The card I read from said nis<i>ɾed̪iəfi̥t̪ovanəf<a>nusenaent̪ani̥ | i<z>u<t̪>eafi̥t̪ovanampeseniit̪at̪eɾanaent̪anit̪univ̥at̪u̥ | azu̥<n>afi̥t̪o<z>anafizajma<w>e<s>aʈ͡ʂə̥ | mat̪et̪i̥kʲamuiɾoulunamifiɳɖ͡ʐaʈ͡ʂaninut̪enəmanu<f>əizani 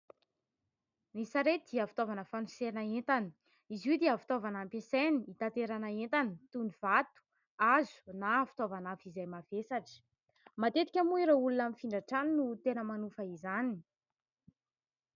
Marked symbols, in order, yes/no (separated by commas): no, yes, yes, no, yes, no, no, yes, yes